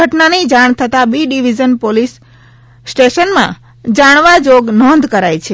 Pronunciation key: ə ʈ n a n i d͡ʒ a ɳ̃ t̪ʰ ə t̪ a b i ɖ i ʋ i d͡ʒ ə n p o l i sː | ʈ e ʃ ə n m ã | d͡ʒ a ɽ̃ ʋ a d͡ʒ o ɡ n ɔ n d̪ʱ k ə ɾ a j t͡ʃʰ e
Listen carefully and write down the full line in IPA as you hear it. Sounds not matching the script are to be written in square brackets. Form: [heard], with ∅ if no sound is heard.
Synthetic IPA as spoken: ə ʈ n a n i d͡ʒ a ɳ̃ t̪ʰ ə t̪ a b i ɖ i ʋ i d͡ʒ ə n p o l i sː | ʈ e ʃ ə n m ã | d͡ʒ a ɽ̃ ʋ a d͡ʒ o ɡ n ɔ n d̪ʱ k ə ɾ a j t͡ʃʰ e